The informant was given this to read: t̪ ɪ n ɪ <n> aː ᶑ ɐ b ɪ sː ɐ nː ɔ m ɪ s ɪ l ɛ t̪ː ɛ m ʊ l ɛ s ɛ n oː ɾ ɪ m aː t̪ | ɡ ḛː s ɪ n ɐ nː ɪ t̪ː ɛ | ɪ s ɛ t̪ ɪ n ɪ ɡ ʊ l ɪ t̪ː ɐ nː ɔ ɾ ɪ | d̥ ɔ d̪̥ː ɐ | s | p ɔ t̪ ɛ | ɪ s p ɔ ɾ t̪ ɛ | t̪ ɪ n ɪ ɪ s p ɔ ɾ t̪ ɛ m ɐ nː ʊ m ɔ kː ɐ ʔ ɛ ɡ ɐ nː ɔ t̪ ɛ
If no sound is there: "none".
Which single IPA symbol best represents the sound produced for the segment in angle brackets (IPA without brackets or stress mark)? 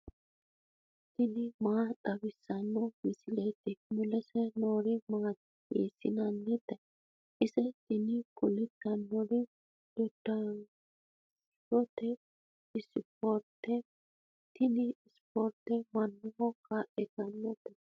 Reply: m